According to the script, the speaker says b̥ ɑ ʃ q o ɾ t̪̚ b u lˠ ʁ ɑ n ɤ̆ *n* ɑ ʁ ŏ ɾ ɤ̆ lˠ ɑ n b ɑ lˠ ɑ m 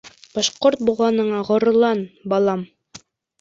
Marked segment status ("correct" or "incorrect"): incorrect